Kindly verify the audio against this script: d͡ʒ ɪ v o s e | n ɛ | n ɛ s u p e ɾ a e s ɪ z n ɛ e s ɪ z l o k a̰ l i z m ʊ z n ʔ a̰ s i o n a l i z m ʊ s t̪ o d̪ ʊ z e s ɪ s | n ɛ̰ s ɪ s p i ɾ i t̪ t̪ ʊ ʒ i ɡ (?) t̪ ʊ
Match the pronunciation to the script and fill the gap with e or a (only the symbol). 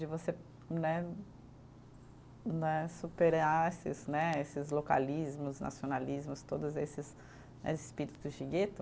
e